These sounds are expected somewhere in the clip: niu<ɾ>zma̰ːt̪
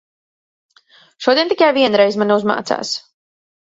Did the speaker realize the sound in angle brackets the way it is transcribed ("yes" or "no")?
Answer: no